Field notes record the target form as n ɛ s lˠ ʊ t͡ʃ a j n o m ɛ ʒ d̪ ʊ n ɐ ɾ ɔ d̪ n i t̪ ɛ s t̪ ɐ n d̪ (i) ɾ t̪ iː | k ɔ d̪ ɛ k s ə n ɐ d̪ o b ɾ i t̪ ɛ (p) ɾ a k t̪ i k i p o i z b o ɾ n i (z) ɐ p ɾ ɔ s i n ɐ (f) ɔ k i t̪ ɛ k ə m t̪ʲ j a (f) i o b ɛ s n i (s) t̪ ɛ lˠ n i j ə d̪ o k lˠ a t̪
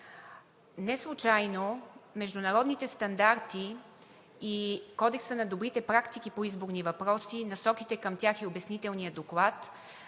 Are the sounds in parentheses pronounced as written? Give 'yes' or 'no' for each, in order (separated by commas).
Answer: no, yes, no, no, no, no